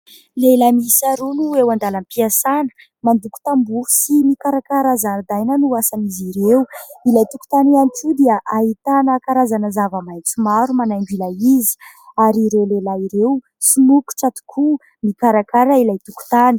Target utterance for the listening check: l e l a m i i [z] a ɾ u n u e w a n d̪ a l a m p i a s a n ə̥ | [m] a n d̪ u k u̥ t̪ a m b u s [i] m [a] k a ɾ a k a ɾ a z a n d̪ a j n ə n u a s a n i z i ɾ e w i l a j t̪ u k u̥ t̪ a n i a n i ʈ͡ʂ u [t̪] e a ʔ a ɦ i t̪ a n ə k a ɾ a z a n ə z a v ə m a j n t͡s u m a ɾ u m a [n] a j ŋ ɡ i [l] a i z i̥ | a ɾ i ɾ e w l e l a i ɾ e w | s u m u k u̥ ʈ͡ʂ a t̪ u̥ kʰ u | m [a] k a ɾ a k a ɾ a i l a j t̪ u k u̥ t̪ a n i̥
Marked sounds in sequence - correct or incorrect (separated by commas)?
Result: incorrect, correct, correct, incorrect, incorrect, correct, correct, incorrect